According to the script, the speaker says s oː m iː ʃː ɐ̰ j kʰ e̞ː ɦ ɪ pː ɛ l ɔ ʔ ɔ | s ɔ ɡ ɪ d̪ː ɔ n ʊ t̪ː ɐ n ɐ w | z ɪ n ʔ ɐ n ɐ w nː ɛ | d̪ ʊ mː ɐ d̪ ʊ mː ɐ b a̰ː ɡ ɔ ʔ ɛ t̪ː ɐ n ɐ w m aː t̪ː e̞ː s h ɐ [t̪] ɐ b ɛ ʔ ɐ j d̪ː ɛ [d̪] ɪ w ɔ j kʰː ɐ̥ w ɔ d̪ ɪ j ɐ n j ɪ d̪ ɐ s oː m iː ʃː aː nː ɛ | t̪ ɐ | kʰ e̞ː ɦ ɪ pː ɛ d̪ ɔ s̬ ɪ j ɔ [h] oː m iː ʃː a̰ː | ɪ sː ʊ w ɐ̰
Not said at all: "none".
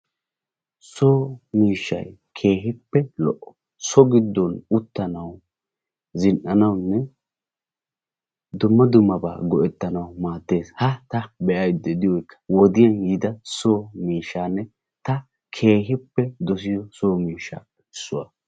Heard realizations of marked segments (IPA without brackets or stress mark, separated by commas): t̪, d̪, s